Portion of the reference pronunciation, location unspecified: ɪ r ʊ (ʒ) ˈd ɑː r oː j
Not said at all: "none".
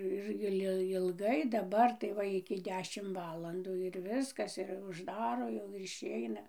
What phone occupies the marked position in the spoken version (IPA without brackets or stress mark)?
ʒ